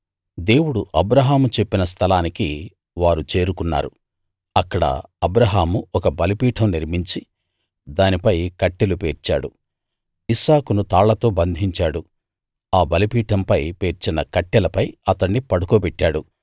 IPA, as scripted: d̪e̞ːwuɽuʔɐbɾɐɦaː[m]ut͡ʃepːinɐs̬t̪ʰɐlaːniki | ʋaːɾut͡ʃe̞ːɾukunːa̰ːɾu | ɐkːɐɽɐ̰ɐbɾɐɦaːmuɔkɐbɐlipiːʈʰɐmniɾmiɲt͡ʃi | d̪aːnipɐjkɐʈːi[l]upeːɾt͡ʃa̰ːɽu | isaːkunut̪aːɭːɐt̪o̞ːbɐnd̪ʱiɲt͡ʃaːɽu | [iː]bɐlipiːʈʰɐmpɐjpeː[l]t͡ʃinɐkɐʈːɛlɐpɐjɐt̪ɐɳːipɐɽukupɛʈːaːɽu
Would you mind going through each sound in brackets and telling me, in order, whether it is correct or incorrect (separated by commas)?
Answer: correct, correct, incorrect, incorrect